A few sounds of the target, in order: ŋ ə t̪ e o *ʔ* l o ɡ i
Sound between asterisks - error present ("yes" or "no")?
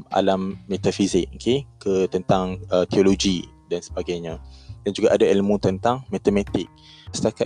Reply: yes